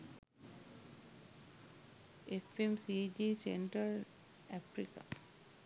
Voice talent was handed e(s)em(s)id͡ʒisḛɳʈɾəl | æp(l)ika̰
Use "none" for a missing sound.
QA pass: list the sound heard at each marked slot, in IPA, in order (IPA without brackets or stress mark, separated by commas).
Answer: f, s, ɾ